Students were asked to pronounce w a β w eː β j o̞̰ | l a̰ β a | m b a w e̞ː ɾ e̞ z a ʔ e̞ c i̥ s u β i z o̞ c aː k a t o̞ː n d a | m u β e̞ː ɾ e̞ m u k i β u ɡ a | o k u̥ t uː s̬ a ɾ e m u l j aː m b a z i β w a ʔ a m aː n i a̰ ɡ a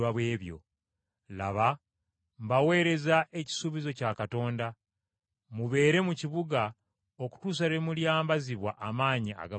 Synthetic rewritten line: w a β w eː β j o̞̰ | l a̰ β a | m b a w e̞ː ɾ e̞ z a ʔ e̞ c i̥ s u β i z o̞ c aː k a t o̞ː n d a | m u β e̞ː ɾ e̞ m u c i β u ɡ a | o k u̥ t uː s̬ a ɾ e m u l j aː m b a z i β w a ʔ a m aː ɲ i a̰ ɡ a